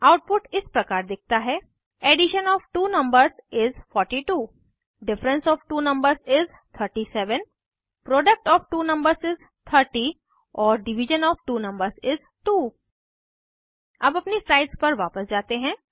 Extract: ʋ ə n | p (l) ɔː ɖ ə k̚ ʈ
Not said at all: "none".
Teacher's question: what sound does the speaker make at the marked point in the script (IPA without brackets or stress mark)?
ɾ